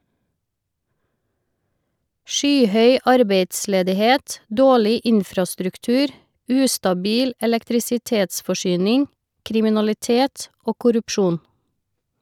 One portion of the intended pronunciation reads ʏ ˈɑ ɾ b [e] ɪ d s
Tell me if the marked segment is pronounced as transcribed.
yes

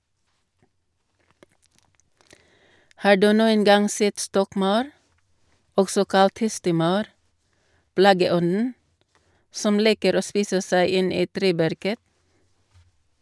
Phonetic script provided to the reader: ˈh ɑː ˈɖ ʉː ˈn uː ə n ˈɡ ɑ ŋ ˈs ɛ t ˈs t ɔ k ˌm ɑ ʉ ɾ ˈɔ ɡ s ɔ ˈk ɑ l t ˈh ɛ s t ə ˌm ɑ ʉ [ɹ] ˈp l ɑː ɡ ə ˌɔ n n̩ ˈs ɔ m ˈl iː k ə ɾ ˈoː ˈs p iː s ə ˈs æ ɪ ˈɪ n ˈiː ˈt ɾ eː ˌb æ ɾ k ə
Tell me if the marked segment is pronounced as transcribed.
no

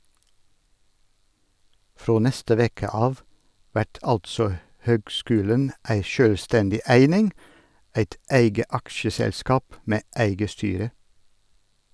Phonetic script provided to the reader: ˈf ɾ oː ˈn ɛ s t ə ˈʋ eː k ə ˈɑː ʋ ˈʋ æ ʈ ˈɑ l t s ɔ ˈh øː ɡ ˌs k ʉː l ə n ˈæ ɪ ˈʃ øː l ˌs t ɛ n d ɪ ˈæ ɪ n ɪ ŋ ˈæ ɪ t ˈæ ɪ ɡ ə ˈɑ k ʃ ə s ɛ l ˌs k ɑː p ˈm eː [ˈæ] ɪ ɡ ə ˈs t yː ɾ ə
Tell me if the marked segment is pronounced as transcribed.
yes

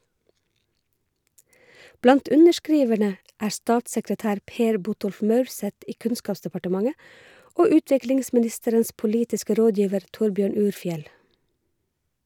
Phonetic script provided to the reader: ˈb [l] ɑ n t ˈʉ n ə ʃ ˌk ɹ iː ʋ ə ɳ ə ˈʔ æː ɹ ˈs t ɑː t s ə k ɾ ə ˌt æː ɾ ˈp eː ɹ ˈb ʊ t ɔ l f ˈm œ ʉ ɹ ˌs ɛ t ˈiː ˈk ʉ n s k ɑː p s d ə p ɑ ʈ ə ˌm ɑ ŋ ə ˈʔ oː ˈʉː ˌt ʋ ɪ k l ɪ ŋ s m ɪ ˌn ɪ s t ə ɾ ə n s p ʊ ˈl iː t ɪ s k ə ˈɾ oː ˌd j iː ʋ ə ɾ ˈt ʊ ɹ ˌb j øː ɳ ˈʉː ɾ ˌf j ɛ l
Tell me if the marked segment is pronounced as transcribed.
yes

